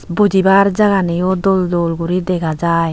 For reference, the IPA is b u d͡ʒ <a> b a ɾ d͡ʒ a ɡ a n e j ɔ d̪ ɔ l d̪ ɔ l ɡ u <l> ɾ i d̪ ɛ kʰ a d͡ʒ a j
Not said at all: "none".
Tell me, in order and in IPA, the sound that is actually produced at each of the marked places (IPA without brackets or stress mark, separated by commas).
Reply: i, none